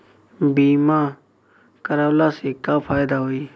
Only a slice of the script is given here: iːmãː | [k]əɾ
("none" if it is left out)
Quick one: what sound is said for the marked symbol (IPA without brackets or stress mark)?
k